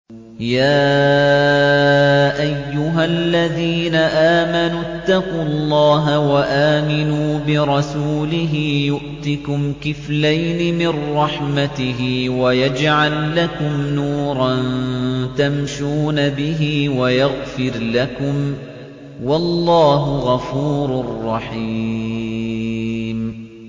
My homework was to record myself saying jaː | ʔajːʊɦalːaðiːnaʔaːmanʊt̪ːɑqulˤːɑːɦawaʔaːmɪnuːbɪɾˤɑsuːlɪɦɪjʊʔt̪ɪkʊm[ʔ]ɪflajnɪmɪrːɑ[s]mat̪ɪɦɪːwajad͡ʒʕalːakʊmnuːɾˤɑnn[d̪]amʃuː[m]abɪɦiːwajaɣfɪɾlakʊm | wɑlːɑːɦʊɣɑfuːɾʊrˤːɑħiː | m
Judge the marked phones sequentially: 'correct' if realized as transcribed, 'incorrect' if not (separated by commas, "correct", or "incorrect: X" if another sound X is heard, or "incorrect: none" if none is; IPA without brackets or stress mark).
incorrect: k, incorrect: ħ, incorrect: t̪, incorrect: n